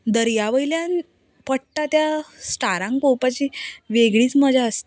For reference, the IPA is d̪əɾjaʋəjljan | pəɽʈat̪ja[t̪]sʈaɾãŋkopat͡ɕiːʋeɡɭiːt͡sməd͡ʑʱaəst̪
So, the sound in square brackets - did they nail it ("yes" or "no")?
no